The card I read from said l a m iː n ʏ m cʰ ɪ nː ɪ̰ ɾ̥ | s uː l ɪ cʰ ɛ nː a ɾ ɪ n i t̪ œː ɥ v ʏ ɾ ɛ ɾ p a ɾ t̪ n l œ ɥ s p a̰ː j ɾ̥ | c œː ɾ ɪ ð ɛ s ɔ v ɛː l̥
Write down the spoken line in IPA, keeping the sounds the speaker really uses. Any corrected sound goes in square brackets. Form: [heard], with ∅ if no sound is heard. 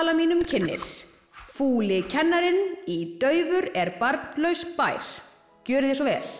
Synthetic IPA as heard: l a m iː n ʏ m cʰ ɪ nː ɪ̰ ɾ̥ | [f] uː l ɪ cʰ ɛ nː a ɾ ɪ n i t̪ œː ɥ v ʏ ɾ ɛ ɾ p a ɾ t̪ n l œ ɥ s p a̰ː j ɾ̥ | c œː ɾ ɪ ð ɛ s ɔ v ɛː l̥